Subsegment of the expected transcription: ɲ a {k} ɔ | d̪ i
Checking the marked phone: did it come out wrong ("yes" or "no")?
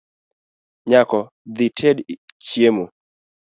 no